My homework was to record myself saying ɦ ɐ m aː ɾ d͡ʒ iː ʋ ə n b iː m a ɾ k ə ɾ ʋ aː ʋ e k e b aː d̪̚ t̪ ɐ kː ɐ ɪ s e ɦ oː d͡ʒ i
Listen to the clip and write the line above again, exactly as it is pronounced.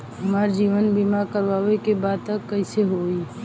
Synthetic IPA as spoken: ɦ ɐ m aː ɾ d͡ʒ iː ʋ ə n b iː m a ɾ k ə ɾ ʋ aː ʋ e k e b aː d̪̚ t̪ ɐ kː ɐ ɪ s e ɦ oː i